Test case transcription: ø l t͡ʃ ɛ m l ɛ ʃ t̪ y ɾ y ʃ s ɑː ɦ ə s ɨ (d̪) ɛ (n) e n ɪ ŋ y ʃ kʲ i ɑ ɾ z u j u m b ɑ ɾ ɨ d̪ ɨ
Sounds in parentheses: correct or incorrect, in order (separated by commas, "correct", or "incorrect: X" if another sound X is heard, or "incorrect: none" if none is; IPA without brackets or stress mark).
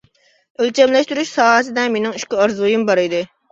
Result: correct, incorrect: m